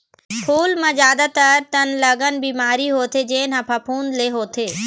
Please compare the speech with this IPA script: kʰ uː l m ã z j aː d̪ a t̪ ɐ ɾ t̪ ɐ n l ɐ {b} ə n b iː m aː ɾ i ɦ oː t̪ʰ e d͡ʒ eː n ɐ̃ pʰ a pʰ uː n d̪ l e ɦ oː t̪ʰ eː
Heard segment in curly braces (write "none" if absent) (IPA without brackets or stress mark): ɡ